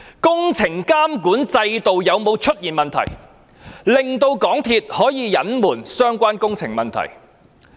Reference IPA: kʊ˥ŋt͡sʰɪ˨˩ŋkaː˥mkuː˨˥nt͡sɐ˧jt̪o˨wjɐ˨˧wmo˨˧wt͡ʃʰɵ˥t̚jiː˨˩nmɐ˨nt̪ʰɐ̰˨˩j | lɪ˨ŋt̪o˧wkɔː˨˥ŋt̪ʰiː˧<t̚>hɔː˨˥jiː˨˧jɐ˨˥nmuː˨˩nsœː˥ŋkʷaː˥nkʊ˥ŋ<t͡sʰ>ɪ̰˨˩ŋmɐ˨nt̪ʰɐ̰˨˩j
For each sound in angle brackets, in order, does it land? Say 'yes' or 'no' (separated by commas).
yes, yes